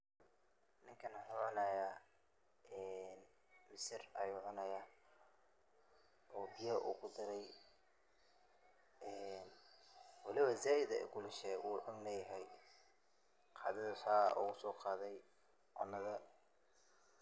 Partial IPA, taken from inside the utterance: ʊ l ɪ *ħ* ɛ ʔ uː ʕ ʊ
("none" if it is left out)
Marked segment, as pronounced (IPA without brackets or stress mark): ʃ